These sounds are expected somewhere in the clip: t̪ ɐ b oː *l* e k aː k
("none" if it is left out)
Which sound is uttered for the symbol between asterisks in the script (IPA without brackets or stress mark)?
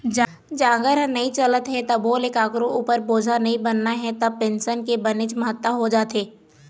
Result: l